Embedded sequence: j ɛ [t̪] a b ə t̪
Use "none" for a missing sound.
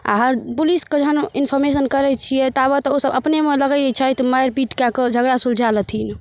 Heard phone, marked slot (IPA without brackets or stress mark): t̪